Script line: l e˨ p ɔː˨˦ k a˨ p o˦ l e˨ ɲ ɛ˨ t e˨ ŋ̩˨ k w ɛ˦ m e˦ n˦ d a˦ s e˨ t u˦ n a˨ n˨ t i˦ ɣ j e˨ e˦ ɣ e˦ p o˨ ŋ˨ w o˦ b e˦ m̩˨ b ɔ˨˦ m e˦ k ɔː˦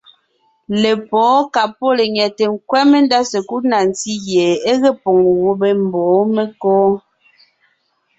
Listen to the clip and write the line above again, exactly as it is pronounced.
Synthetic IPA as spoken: l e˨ p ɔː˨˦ k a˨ p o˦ l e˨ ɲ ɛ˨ t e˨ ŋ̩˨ k w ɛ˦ m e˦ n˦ d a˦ s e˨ k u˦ n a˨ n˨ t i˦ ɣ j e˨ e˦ ɣ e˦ p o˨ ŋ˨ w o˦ b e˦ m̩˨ b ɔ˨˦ m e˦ k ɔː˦